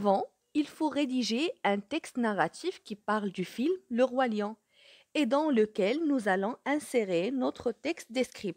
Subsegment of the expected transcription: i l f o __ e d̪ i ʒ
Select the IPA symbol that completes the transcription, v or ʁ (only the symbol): ʁ